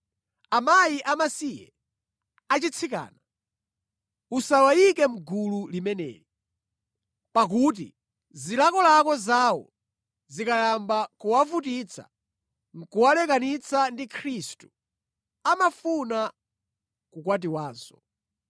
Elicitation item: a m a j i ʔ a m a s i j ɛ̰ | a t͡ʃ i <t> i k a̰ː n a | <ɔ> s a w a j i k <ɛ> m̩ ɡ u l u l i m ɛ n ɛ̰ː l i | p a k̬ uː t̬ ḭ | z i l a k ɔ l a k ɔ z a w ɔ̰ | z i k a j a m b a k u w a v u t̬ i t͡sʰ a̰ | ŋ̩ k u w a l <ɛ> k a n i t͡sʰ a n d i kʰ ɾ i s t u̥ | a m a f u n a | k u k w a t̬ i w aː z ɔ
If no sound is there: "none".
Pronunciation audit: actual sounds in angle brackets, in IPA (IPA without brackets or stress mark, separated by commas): t͡sʰ, u, ɛ, ɛ